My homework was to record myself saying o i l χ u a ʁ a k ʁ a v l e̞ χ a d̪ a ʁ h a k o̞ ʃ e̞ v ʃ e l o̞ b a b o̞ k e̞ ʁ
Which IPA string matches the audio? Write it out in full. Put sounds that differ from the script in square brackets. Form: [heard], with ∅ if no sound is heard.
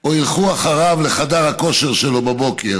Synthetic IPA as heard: o i l χ u a [χ] a [∅] ʁ a v l e̞ χ a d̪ a ʁ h a k o̞ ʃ e̞ [ʁ] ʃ e l o̞ b a b o̞ k e̞ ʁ